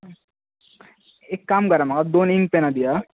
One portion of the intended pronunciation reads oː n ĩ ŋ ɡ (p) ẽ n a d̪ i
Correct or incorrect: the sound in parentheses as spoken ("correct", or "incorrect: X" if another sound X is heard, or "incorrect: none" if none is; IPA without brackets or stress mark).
correct